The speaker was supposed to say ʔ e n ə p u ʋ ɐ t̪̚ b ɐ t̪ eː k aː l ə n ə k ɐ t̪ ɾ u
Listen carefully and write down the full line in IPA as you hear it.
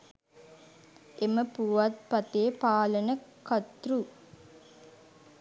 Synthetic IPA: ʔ e m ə p u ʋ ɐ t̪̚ p ɐ t̪ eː p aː l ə n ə k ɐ t̪ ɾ u